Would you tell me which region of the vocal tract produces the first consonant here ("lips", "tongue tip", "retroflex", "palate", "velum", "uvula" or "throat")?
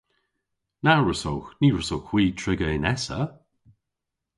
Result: tongue tip